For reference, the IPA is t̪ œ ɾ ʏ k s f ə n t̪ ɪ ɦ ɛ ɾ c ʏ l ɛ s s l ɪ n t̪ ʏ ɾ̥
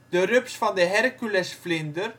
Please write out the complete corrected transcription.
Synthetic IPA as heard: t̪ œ ɾ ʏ p s f a n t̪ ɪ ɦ ɛ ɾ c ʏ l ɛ s f l ɪ n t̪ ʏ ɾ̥